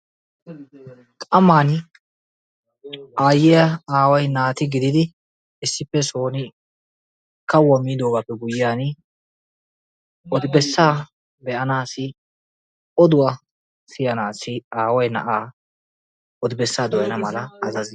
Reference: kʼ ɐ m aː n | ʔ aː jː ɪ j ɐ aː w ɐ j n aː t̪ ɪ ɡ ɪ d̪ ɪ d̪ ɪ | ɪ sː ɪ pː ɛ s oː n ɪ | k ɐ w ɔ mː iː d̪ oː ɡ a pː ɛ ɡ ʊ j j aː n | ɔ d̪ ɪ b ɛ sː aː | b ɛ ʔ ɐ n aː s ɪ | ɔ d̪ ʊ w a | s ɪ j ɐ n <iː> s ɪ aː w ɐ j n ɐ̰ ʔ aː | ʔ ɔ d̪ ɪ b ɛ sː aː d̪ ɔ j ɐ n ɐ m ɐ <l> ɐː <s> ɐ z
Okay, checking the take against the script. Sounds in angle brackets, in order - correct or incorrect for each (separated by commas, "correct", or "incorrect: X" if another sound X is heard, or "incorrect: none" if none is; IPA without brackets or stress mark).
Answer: incorrect: aː, correct, incorrect: z